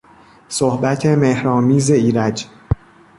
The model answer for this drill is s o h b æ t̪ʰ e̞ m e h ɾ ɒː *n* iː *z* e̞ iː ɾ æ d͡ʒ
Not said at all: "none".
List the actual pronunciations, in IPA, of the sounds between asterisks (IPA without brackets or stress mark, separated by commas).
m, z